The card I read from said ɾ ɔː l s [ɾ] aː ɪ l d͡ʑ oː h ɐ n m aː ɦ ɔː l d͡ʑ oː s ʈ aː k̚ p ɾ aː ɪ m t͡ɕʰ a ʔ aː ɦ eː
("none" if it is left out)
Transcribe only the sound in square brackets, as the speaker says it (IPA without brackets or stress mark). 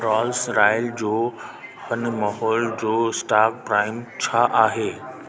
ɾ